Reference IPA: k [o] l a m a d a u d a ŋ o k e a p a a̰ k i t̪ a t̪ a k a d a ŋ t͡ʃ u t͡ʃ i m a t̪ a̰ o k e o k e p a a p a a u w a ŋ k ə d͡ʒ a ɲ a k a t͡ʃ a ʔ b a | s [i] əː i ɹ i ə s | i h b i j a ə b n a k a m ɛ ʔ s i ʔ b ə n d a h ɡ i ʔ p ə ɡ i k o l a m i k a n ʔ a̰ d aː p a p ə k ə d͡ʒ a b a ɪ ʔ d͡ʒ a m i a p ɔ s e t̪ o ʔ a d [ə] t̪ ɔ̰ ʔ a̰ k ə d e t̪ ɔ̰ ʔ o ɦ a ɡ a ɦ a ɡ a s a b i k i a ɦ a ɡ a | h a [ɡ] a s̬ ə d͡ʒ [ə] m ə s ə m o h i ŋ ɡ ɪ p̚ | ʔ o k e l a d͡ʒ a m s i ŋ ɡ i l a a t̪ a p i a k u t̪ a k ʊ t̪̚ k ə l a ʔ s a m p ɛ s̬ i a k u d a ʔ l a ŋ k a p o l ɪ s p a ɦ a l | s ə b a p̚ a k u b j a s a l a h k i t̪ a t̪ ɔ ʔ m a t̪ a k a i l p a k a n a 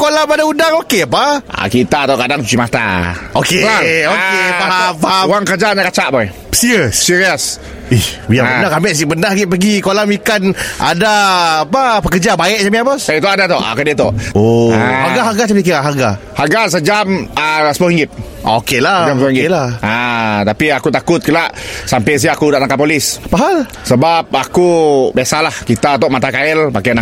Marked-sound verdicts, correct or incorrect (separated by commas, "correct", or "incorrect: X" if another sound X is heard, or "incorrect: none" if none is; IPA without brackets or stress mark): correct, correct, incorrect: a, correct, incorrect: a